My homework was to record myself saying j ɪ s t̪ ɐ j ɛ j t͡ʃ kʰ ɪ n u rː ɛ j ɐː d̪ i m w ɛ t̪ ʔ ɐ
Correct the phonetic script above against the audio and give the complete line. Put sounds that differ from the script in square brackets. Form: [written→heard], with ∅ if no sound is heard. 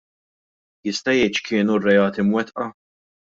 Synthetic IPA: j ɪ s t̪ ɐ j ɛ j t͡ʃ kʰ [ɪ→ɪː] n u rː ɛ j ɐː [d̪→t̪] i m w ɛ t̪ ʔ ɐ